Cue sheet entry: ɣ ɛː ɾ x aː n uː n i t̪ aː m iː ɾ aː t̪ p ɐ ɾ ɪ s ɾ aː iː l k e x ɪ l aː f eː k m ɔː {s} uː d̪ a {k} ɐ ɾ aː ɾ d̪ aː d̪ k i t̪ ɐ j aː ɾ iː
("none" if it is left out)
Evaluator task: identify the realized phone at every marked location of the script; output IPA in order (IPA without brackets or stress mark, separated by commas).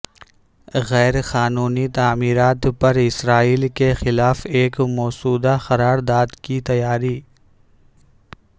s, x